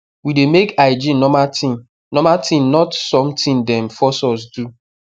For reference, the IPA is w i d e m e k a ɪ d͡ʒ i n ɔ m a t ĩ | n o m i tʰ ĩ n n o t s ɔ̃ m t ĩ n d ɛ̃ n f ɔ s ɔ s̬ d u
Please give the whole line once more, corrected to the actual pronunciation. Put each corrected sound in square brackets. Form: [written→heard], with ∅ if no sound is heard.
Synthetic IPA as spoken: w i d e m e k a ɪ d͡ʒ i n ɔ m a t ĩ | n [o→ɔ] m [i→a] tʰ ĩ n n [o→ɔ] t s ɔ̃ m t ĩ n d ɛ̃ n f ɔ s ɔ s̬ d u